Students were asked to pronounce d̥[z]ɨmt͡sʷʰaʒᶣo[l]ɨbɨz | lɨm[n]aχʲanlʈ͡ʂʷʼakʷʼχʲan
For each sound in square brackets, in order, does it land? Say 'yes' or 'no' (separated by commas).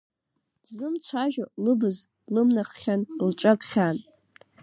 yes, yes, yes